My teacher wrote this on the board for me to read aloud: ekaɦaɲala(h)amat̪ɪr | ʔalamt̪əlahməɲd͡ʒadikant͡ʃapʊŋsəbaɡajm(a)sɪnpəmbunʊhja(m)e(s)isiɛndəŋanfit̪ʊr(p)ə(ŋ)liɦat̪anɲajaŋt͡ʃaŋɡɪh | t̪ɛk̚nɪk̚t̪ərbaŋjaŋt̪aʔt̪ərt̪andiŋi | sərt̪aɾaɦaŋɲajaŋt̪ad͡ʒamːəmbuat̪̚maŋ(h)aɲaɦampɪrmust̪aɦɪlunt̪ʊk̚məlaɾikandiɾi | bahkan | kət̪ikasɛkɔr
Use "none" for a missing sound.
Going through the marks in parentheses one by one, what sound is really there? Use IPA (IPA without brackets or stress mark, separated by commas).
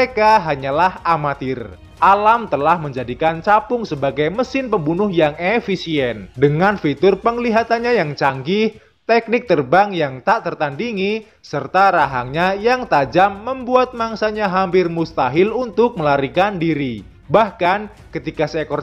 h, ə, ŋ, f, p, ŋ, s